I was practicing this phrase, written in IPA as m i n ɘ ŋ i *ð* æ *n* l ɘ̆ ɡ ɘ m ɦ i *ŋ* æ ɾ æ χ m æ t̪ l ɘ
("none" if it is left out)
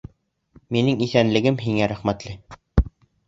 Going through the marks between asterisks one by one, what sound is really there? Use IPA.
θ, n, ŋ

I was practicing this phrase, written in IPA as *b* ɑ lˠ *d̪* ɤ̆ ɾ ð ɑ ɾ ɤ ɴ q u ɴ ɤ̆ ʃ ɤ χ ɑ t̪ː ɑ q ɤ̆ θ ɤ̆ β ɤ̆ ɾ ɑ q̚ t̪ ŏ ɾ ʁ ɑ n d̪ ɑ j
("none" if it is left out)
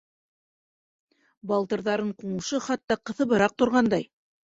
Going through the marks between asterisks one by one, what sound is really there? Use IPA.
b, t̪

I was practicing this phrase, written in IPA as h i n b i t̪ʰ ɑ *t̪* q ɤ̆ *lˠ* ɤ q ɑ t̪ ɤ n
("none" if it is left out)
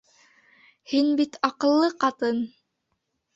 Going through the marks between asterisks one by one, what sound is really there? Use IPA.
none, lˠː

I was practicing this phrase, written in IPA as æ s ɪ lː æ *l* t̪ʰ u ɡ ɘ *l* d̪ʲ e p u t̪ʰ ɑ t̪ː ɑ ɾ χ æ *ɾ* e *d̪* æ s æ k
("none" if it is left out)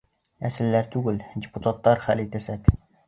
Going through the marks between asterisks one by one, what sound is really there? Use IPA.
ɾ, l, l, t̪

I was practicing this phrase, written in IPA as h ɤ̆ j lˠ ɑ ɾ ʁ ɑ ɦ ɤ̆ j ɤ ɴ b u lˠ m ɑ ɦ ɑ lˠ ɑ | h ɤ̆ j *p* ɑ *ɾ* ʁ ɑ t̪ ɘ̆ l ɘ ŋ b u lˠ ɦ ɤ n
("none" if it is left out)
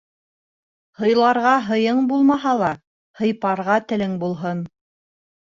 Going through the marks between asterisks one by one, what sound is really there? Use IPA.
p, ɾ

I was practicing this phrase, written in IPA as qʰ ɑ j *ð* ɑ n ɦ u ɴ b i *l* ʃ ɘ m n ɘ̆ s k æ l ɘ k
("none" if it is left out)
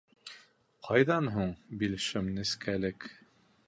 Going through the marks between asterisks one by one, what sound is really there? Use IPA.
ð, l

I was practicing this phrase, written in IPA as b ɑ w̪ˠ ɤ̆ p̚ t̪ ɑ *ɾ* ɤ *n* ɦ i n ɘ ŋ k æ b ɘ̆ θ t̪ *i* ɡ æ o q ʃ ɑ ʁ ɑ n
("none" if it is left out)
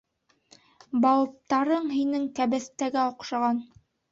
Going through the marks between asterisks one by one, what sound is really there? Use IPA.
ɾ, ɴ, æ

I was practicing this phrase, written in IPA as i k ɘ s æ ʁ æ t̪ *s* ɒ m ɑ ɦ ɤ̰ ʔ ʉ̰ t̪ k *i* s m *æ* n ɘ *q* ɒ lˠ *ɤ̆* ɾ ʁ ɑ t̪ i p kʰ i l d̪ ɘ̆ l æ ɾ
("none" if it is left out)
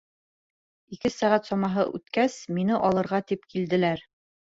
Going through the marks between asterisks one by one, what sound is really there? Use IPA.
s, æ, i, ʔ, ɤ̆

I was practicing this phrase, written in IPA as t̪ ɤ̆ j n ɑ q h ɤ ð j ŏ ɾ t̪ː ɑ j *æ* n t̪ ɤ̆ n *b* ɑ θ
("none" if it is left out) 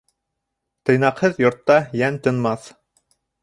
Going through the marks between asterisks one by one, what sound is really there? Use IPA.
æ, m

